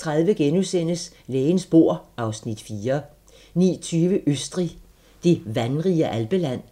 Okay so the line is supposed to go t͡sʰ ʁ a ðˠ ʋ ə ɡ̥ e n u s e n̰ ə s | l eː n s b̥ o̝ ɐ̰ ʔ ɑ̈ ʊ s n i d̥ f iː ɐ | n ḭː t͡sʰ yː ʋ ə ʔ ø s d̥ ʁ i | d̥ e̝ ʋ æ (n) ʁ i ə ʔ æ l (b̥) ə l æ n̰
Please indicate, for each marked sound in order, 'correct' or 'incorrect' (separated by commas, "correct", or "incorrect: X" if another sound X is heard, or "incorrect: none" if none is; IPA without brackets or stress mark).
correct, correct